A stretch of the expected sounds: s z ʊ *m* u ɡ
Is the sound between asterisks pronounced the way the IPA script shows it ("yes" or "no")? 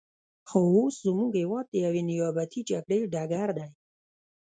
yes